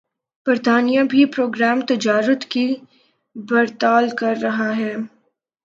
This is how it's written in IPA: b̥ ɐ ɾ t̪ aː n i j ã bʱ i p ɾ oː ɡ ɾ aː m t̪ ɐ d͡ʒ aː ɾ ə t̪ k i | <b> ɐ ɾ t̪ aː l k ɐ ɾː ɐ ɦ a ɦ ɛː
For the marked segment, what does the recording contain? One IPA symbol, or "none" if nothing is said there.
b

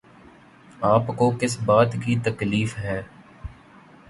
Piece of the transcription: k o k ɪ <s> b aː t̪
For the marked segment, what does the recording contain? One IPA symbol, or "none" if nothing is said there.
s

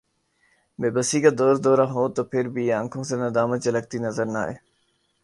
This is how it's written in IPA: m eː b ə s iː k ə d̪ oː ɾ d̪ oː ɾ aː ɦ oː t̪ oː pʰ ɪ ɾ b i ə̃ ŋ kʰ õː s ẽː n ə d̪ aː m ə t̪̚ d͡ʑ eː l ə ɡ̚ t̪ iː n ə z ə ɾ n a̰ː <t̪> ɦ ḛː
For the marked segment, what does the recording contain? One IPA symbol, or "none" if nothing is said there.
none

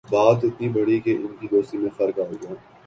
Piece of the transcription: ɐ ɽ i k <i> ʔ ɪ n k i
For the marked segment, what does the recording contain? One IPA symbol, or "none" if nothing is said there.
e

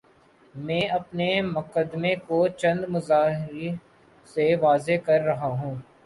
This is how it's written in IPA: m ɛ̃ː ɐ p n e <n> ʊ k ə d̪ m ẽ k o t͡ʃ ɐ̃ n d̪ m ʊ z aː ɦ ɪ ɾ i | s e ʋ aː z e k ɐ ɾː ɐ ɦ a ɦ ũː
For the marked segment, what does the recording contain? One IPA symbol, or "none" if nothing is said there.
m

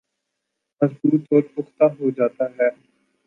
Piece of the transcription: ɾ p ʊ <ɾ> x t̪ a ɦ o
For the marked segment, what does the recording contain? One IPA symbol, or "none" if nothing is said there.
none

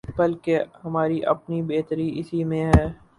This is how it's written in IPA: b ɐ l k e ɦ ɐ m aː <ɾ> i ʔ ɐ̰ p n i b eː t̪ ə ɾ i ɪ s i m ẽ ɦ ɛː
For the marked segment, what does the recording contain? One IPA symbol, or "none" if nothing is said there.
ɾ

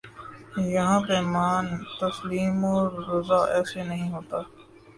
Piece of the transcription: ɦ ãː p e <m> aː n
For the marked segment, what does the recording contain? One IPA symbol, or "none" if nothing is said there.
m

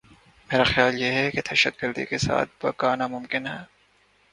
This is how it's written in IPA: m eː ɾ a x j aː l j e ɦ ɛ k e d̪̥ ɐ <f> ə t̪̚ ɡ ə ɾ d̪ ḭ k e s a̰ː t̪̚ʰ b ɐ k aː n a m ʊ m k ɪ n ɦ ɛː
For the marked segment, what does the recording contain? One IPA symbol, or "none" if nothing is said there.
ʃ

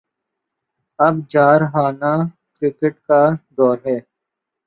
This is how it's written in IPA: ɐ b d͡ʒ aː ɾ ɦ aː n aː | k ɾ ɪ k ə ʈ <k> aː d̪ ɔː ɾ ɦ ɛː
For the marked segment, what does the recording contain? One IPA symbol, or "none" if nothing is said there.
k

